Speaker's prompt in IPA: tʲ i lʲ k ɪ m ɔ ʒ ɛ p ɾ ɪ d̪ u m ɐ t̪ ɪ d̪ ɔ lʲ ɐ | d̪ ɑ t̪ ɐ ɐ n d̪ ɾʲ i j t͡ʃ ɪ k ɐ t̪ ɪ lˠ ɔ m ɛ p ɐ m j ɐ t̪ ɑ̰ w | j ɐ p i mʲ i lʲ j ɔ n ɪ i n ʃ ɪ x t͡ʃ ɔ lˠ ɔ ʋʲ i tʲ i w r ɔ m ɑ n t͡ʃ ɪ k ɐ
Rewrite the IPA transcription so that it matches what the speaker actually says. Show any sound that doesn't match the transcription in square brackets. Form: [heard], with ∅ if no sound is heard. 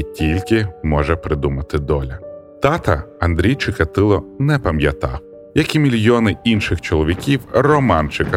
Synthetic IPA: tʲ i lʲ k ɪ m ɔ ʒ ɛ p ɾ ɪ d̪ u m ɐ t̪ ɪ d̪ ɔ lʲ ɐ | [t̪] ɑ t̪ ɐ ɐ n d̪ ɾʲ i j t͡ʃ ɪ k ɐ t̪ ɪ lˠ ɔ [n] ɛ p ɐ m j ɐ t̪ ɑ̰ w | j ɐ [k] i mʲ i lʲ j ɔ n ɪ i n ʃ ɪ x t͡ʃ ɔ lˠ ɔ ʋʲ i [kʲ] i w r ɔ m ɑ n t͡ʃ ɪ k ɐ